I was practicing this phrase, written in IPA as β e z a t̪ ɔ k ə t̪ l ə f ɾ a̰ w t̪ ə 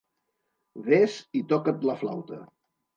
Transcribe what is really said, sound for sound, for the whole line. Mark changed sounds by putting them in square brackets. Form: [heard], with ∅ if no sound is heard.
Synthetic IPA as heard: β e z [i] t̪ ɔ k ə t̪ l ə f [l] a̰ w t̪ ə